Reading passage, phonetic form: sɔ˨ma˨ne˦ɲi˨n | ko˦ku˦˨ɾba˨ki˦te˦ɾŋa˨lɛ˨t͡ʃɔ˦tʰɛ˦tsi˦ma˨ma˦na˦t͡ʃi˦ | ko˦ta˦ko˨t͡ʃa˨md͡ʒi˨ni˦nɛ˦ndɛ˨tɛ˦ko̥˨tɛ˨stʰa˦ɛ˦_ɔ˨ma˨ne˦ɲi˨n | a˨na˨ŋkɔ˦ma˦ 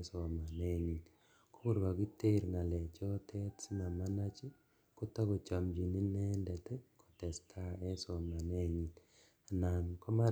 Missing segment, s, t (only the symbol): s